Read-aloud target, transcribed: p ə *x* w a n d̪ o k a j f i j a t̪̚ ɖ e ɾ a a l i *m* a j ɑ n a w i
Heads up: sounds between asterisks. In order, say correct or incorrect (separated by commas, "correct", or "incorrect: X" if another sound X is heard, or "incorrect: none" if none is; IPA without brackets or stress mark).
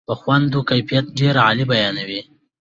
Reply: correct, incorrect: b